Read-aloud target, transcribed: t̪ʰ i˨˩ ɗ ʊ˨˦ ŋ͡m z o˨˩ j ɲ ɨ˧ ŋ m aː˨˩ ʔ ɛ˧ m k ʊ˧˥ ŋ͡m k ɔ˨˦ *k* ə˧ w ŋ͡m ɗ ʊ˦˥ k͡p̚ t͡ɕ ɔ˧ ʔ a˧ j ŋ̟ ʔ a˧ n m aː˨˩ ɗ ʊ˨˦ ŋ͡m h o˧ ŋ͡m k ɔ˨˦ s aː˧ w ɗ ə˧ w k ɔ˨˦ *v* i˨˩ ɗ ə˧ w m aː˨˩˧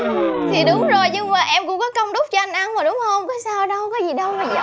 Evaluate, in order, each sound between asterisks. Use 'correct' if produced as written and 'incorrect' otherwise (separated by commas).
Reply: correct, incorrect